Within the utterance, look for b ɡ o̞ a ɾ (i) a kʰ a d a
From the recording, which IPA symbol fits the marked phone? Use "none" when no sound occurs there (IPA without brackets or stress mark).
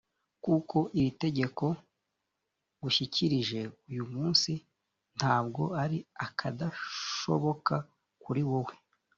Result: i